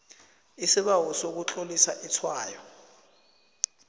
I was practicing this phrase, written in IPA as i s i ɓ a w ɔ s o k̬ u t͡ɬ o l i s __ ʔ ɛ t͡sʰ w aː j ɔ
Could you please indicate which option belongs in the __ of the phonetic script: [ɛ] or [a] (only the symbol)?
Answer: a